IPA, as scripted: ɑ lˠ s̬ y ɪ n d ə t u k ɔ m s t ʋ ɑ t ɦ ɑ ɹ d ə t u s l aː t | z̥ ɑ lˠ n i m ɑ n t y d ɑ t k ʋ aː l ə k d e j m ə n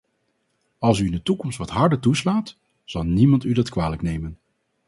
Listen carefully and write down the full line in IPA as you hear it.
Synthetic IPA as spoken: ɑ lˠ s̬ y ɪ n d ə t u k ɔ m s t ʋ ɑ t ɦ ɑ ɹ d ə t u s l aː t | z̥ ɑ lˠ n i m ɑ n t y d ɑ t k ʋ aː l ə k n e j m ə n